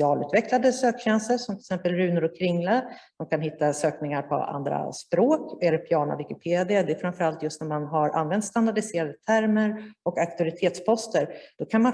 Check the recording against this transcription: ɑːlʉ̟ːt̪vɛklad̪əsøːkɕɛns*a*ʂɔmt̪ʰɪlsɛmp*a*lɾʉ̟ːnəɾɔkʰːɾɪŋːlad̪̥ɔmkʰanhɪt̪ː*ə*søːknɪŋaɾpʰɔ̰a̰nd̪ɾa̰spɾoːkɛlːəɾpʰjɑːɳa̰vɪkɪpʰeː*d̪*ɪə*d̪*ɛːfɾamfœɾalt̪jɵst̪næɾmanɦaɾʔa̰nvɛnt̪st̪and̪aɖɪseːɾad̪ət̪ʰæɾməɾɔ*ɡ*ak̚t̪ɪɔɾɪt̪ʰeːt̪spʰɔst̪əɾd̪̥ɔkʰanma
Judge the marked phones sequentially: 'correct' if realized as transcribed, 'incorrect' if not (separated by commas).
incorrect, incorrect, incorrect, correct, correct, incorrect